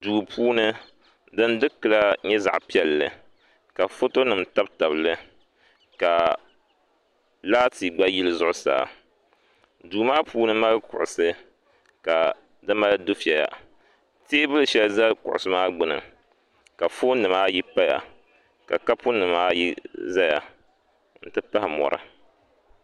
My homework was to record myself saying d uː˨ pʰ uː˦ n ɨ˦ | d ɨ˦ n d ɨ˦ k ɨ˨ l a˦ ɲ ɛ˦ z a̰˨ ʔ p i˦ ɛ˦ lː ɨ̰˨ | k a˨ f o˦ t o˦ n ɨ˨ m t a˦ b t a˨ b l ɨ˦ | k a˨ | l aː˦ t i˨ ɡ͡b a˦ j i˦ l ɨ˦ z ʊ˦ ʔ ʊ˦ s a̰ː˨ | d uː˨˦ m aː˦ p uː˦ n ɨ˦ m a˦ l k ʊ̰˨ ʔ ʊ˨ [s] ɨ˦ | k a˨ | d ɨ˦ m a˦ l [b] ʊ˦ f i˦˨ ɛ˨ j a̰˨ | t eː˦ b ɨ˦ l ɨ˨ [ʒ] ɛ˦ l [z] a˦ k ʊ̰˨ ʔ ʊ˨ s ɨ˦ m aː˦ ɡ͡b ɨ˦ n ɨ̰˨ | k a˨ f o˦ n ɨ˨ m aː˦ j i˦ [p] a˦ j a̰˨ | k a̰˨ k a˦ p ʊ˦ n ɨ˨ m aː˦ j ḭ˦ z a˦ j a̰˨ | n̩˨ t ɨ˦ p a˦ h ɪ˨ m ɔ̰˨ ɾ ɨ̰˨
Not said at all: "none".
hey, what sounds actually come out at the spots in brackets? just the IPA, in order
s, d, ʃ, z, p

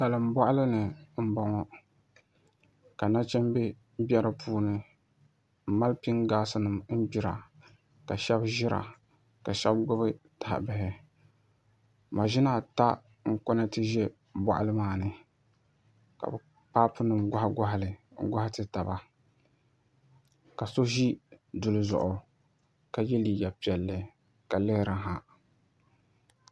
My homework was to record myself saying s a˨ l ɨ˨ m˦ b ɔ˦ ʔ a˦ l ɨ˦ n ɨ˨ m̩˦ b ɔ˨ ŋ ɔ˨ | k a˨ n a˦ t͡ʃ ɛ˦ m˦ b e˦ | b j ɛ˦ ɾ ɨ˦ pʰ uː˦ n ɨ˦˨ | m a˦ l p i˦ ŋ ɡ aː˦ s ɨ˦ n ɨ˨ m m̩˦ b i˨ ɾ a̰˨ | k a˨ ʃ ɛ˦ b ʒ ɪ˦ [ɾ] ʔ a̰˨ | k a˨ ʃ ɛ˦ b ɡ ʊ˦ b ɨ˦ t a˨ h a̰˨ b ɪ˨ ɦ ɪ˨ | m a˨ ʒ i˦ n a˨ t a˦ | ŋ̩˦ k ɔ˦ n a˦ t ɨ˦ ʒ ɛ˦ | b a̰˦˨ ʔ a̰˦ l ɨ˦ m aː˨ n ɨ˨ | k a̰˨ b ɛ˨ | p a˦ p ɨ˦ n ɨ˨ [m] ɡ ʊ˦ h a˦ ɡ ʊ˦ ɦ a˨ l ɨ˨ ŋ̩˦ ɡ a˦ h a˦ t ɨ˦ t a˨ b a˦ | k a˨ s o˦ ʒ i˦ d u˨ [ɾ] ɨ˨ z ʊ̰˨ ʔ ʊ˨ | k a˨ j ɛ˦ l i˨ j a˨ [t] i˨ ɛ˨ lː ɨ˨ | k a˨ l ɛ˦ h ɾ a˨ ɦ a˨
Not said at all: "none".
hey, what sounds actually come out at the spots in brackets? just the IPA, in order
ɾ, m, l, p

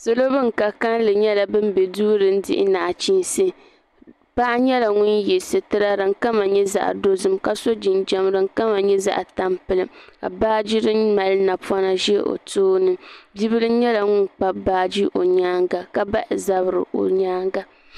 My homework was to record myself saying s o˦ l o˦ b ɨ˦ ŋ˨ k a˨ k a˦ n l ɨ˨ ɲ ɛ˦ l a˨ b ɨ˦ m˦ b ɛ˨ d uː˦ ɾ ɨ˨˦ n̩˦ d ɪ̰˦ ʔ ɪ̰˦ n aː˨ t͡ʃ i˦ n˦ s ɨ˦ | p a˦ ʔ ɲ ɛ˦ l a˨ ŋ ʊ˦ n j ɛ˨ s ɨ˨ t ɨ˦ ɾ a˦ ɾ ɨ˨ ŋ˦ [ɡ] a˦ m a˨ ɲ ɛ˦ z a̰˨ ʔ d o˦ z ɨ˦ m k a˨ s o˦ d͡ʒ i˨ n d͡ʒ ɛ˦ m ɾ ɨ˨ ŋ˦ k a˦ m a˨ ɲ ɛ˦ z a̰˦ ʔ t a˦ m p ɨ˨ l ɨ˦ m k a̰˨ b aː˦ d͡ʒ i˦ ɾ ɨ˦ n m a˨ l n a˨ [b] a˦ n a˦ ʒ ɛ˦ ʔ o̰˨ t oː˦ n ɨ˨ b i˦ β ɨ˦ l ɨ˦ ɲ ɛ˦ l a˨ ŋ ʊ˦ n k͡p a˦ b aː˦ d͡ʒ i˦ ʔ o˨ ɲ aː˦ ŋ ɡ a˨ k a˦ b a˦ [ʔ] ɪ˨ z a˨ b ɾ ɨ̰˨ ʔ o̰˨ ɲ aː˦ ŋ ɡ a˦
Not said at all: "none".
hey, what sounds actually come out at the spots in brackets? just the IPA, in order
k, p, ʔ

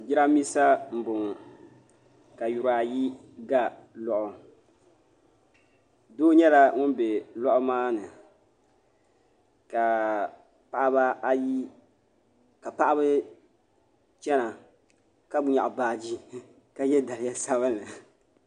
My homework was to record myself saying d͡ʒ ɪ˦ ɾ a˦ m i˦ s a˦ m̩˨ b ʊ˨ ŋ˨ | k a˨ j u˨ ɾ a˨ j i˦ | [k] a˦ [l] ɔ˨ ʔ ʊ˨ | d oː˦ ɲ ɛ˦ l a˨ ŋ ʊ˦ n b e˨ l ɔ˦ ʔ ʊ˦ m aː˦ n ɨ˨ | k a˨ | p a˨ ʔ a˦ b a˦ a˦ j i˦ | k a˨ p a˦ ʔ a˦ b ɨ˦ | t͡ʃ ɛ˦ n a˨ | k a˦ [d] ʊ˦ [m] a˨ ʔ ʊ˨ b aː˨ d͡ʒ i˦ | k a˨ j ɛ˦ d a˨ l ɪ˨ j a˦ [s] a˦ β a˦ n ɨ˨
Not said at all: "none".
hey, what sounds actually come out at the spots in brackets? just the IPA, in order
ɡ, l, b, ɲ, s

